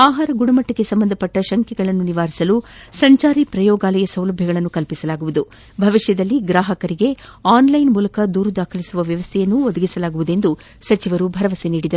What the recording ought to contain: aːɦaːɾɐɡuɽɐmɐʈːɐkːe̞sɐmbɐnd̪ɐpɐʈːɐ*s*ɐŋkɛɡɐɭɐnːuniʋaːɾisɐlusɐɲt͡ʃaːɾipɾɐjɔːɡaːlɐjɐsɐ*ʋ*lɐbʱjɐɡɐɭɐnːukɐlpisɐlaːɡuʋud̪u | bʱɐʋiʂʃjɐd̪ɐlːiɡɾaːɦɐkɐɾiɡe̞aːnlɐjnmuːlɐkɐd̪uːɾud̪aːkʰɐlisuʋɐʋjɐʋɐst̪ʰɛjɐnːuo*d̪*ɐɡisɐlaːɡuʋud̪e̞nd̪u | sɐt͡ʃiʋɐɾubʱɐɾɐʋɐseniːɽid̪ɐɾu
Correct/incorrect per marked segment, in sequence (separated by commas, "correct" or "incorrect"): incorrect, incorrect, correct